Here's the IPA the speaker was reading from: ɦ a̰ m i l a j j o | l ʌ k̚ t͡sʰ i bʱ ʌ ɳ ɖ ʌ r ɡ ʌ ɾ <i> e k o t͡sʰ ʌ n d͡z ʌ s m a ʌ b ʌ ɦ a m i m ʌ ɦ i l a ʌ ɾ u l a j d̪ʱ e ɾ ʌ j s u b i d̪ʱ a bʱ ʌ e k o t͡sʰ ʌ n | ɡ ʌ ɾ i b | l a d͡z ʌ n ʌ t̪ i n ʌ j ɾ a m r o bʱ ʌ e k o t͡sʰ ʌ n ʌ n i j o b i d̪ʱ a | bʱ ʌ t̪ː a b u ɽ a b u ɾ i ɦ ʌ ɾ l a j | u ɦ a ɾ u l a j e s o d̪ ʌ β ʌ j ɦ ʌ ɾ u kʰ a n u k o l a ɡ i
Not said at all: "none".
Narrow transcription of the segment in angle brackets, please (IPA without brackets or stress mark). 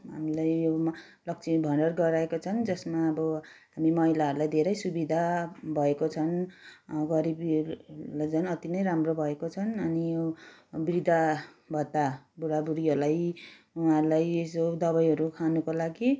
a